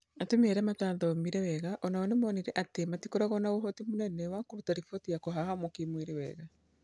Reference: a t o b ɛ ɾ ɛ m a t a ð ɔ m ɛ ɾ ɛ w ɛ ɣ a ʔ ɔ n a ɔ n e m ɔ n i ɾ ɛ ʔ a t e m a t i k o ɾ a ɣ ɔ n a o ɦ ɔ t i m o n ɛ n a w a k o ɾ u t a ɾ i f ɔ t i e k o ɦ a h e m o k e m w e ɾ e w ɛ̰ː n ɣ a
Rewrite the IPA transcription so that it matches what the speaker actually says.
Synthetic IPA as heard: a t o m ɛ ɾ ɛ m a t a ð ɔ m i ɾ ɛ w ɛ ɣ a ʔ ɔ n a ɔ n e m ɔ n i ɾ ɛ ʔ a t e m a t i k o ɾ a ɣ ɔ n a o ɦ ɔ t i m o n ɛ n ɛ w a k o ɾ u t a ɾ i f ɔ t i a k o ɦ a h a m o k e m w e ɾ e w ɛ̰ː ɣ a